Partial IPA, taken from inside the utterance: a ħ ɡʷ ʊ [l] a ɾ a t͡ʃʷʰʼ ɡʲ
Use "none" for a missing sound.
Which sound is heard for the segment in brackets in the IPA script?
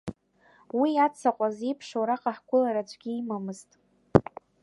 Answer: l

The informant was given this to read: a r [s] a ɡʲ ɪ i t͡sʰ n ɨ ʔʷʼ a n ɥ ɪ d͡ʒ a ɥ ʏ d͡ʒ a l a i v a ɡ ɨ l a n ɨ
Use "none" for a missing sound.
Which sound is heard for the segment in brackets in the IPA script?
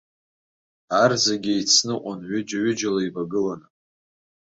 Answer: z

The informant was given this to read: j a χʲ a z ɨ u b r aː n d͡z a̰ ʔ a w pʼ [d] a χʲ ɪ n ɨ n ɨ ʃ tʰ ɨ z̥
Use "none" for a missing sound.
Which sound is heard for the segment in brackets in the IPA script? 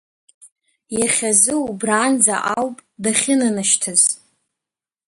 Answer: d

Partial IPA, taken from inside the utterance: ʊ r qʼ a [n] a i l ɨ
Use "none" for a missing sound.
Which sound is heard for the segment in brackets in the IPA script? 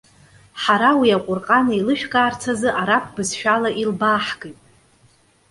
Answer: n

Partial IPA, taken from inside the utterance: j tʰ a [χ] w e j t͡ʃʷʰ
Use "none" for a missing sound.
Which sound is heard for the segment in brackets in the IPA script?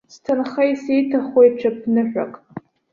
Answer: χ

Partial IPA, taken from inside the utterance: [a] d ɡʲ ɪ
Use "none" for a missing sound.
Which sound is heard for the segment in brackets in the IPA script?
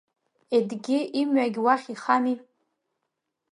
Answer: e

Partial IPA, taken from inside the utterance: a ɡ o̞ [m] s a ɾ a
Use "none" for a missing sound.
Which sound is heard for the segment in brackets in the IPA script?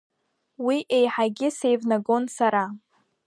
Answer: n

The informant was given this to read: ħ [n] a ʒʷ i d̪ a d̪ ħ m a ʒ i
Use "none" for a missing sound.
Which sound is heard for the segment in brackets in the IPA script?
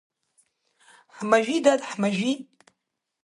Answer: m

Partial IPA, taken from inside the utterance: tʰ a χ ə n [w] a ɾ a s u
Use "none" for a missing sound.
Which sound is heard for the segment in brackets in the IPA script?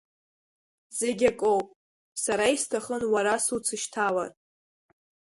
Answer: w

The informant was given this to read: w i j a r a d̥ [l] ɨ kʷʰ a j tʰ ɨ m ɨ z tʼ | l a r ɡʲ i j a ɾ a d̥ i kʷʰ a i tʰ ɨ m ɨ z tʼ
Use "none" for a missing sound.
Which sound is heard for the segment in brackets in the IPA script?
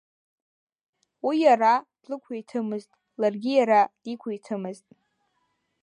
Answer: l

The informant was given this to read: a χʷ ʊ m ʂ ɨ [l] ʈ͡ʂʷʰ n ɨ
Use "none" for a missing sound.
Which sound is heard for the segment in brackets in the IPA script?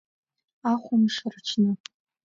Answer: r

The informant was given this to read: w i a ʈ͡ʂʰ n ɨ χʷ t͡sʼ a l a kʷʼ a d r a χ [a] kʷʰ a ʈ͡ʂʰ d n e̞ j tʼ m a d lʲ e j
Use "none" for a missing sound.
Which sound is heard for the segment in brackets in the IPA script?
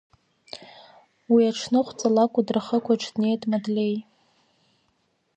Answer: ə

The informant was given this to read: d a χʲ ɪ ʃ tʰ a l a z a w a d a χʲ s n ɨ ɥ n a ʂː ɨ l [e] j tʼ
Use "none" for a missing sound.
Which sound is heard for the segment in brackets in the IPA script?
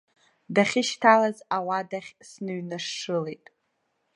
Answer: e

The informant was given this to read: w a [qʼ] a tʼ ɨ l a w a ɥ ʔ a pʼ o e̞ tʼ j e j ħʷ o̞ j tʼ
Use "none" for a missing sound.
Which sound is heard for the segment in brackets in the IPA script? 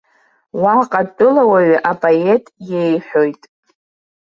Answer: qʼ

